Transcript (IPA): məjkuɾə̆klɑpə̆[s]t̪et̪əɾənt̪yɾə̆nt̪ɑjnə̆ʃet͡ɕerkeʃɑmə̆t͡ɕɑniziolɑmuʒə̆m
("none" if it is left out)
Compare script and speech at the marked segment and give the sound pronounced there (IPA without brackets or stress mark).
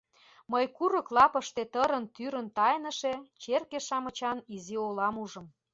ʃ